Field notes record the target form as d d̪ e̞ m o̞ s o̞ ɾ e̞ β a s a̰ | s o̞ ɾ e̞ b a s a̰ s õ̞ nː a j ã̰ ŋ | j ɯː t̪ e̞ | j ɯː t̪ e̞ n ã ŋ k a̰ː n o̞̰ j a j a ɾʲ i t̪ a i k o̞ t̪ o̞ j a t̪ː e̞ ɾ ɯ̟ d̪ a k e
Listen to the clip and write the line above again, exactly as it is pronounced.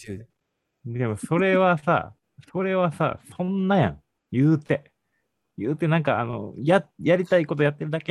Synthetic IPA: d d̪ e̞ m o̞ s o̞ ɾ e̞ β a s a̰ | s o̞ ɾ e̞ β a s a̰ s õ̞ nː a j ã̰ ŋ | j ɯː t̪ e̞ | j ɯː t̪ e̞ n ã ŋ k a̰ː n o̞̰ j a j a ɾʲ i t̪ a i k o̞ t̪ o̞ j a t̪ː e̞ ɾ ɯ̟ d̪ a k e